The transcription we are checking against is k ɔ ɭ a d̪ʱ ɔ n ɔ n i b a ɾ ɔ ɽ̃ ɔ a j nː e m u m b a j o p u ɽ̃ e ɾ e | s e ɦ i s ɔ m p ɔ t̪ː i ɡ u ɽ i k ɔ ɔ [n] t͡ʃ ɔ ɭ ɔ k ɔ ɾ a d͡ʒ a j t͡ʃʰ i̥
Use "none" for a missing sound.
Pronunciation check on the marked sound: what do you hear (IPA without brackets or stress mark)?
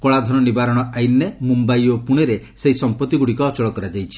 none